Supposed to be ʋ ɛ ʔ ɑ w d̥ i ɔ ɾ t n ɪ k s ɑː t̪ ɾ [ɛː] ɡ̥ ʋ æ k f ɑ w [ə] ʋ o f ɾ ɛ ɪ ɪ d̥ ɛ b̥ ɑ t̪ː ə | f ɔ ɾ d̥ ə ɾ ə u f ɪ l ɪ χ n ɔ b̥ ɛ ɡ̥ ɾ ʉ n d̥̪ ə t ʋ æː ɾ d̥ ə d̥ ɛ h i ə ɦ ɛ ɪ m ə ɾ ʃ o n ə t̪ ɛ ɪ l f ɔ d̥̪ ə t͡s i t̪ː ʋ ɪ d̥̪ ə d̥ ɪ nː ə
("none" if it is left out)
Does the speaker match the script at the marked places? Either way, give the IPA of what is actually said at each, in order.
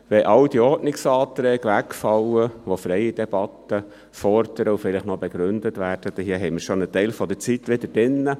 ɛː, ə

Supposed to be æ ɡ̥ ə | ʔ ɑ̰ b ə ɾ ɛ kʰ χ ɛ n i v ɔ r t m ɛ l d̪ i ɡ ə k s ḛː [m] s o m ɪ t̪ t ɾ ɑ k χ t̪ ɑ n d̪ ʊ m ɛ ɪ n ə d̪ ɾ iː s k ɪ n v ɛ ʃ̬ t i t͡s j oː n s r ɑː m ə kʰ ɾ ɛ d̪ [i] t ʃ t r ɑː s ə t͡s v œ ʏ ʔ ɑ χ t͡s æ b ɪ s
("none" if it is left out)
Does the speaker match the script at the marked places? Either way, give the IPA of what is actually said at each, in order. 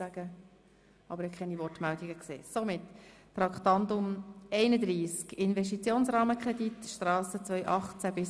none, i

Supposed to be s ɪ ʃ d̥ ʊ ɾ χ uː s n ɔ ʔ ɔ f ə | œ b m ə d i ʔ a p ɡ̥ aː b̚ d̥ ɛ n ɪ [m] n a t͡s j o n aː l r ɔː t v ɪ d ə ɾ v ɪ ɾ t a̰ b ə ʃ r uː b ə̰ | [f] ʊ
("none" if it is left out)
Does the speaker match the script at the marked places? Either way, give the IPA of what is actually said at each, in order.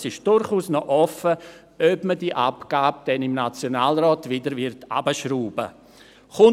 m, χ

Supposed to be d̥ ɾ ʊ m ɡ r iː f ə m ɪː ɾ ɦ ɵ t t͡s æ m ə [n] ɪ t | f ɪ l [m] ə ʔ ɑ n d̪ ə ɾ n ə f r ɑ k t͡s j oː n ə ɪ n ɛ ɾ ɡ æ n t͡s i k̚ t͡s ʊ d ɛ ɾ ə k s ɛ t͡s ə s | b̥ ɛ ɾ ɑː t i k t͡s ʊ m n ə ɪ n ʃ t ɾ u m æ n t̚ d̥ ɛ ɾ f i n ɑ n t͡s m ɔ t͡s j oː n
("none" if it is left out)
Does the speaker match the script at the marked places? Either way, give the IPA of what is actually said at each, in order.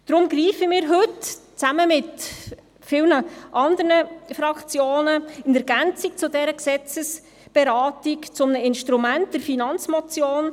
m, n

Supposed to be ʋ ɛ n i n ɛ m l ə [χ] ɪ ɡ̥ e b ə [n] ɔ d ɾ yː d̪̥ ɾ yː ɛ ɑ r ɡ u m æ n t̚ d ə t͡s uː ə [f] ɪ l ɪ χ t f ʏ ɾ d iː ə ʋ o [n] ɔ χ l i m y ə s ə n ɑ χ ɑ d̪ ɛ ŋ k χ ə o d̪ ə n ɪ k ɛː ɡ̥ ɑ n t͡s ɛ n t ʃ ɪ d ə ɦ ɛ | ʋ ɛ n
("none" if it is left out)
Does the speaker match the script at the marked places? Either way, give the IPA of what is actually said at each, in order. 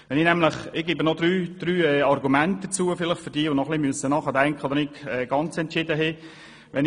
χ, n, f, n

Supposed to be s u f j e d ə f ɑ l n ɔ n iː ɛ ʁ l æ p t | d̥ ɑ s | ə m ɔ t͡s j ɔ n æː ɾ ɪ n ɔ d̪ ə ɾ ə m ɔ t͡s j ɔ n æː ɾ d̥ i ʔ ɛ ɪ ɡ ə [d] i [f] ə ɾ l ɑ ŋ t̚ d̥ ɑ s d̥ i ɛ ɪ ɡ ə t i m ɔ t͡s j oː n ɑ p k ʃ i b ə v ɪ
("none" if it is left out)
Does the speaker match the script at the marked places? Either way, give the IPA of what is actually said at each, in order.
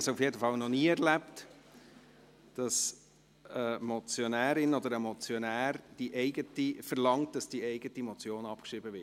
t, f

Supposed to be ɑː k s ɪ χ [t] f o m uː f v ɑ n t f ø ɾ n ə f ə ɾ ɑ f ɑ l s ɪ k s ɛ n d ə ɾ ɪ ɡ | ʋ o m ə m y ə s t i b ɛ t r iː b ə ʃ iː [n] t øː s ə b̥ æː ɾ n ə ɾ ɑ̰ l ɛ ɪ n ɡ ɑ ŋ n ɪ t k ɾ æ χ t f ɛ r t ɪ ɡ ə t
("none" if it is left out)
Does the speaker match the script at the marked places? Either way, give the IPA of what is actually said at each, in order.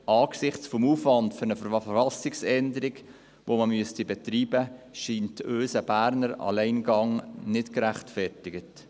t͡s, n

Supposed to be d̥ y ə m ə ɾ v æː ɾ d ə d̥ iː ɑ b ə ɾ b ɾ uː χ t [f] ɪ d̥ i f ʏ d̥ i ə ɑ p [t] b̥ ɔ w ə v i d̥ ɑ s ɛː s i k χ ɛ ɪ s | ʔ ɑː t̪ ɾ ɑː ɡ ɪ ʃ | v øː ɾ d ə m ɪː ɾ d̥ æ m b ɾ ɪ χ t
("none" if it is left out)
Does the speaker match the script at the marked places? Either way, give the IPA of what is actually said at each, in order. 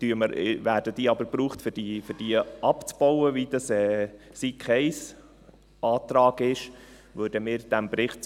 f, t͡s

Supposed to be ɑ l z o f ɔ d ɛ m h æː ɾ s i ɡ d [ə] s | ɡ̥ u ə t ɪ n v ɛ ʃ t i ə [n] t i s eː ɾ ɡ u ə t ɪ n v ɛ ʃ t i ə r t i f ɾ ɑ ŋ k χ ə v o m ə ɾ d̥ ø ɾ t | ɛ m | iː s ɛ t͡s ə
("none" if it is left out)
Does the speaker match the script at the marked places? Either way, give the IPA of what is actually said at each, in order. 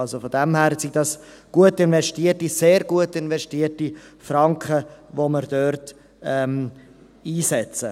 ɑ, none

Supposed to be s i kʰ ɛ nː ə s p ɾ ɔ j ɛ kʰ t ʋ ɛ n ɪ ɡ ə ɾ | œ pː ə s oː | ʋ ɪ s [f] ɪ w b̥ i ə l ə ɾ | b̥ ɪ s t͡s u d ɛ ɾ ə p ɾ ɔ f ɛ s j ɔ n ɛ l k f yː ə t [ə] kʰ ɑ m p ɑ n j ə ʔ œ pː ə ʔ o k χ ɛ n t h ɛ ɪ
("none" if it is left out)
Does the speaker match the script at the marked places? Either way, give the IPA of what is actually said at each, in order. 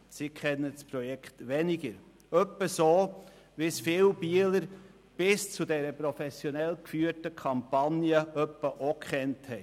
f, ə

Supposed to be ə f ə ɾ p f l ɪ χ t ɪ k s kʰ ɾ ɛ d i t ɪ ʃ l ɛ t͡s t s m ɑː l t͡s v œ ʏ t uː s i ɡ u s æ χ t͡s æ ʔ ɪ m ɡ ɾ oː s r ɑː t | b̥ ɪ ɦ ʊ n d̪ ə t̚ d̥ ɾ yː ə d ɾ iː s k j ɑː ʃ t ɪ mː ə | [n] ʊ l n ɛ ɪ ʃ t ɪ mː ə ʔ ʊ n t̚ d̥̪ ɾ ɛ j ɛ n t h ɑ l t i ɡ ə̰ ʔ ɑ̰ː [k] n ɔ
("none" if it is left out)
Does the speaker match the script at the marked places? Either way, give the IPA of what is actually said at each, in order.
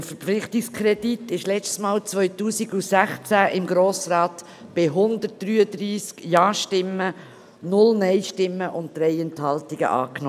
n, k

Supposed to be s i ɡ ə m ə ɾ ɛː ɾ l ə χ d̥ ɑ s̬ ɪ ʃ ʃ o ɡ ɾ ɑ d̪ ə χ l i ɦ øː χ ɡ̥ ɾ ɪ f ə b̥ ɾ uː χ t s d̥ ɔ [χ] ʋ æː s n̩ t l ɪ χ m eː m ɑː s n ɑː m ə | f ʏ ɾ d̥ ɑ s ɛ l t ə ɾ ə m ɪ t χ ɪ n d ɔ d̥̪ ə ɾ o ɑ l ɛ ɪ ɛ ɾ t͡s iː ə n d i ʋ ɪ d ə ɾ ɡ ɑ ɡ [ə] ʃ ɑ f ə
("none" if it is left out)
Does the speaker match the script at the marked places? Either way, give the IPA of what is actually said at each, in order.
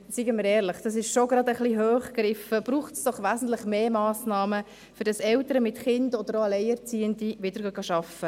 χ, ɑ

